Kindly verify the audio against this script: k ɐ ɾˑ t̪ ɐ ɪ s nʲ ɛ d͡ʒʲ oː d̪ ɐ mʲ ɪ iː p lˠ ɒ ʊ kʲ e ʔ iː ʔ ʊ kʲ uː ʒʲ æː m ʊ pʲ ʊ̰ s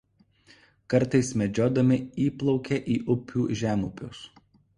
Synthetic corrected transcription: k ɐ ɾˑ t̪ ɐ ɪ s mʲ ɛ d͡ʒʲ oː d̪ ɐ mʲ ɪ iː p lˠ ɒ ʊ kʲ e ʔ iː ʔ ʊ pʲ uː ʒʲ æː m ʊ pʲ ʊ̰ s